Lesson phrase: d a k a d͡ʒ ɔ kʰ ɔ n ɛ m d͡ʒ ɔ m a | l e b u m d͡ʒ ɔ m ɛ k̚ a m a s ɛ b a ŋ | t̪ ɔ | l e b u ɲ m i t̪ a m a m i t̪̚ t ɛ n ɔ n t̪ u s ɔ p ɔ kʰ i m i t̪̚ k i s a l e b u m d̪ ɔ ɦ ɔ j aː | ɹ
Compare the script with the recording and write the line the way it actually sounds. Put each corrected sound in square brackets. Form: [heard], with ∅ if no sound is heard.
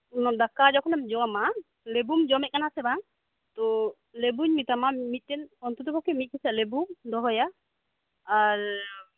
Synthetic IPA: d a k a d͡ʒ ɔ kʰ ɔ n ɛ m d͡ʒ ɔ m a | l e b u m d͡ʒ ɔ m ɛ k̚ a [n] a s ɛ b a ŋ | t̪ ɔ | l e b u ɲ m i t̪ a m a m i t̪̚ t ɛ n ɔ n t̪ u [t] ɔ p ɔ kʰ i m i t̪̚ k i s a l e b u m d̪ ɔ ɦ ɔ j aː | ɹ